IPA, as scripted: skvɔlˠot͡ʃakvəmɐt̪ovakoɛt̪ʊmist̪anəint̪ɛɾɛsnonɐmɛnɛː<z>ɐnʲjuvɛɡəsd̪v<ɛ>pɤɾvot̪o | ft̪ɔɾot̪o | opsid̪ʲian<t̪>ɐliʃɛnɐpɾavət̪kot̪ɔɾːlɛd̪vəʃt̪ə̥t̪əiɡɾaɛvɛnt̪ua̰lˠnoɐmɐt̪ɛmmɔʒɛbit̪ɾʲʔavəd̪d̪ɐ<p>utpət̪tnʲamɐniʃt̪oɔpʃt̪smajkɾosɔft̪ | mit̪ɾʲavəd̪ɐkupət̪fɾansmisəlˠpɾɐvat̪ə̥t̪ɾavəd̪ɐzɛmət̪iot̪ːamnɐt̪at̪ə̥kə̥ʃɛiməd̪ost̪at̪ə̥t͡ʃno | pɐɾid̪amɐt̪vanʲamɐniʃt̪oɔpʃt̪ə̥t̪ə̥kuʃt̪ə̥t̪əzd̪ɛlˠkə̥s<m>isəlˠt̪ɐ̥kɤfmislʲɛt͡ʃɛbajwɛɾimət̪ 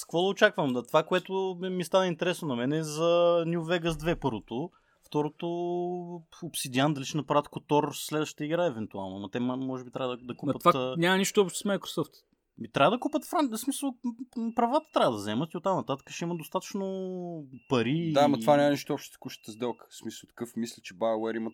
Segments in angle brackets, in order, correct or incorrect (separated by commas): correct, correct, incorrect, incorrect, correct